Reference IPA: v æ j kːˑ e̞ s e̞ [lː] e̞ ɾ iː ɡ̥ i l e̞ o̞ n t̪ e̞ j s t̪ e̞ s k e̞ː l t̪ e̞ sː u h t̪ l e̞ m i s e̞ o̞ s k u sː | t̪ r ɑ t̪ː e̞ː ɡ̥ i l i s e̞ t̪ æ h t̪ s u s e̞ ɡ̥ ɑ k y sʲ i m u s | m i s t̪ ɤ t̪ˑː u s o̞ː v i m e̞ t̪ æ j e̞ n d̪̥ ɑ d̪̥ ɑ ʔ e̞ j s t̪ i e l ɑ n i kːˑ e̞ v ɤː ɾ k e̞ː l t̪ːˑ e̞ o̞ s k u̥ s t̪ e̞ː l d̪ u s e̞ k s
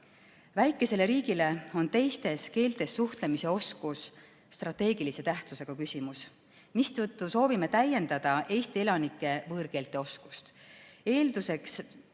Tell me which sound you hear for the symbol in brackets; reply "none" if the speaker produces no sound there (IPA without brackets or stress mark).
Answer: l